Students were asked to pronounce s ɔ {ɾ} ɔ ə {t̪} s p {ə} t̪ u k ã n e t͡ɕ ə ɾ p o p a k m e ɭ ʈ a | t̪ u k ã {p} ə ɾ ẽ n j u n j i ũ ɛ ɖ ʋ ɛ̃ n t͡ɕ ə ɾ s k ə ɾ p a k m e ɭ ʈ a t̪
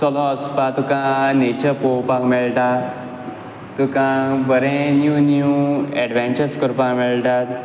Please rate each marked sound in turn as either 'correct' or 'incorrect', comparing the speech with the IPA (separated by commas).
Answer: incorrect, incorrect, incorrect, incorrect